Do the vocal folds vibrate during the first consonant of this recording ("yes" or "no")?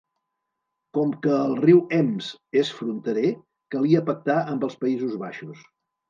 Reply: no